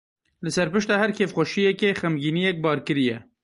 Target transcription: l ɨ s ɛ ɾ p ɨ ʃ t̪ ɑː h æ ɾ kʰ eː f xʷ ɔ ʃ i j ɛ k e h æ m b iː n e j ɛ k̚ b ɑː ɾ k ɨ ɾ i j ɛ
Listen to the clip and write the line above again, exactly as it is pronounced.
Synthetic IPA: l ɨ s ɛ ɾ p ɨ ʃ t̪ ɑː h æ ɾ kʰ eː f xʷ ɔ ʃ i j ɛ k e x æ m ɡ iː n i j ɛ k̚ b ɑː ɾ k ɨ ɾ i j ɛ